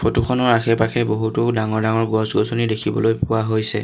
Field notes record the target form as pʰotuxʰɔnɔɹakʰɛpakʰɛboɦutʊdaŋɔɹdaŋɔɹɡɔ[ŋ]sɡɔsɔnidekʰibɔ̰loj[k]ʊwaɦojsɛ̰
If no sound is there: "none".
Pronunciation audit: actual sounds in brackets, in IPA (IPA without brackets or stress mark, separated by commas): none, p